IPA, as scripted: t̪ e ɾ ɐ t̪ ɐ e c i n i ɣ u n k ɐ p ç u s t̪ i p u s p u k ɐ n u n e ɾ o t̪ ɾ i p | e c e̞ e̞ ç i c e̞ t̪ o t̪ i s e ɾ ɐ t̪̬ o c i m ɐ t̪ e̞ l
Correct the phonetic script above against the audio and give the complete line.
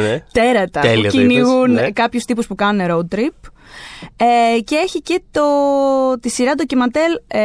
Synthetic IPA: t̪ e ɾ ɐ t̪ ɐ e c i n i ɣ u n k ɐ p ç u s t̪ i p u s p u k ɐ n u n e ɾ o t̪ ɾ i p | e c e̞ e̞ ç i c e̞ t̪ o t̪ i s i ɾ ɐ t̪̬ o c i m ɐ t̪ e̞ l